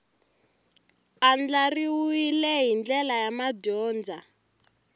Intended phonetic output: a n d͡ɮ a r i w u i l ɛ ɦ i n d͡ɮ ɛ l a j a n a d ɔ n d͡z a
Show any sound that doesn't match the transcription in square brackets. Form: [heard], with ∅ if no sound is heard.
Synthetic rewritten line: a n d͡ɮ a r i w u i l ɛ ɦ i n d͡ɮ ɛ l a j a [m] a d [ɔː] n d͡z a